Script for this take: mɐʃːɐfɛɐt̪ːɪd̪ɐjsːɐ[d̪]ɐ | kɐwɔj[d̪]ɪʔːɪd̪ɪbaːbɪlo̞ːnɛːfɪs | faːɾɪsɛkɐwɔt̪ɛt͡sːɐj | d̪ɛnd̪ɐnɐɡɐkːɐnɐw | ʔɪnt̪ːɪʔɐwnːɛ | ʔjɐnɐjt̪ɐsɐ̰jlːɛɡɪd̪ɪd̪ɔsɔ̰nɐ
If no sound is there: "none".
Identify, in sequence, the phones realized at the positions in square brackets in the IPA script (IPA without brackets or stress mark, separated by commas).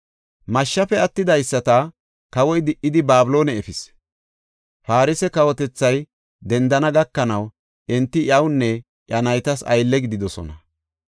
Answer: t̪, d̪